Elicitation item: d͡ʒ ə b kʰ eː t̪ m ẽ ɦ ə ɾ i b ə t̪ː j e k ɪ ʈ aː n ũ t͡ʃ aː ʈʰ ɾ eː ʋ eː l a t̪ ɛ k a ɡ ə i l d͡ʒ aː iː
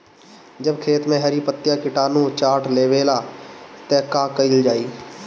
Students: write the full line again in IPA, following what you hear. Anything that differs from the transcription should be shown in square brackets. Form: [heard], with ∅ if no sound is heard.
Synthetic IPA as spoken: d͡ʒ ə b kʰ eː t̪ m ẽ ɦ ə ɾ i [p] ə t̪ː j [a] k ɪ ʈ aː n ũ t͡ʃ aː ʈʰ [l] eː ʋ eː l a t̪ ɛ k a [k] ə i l d͡ʒ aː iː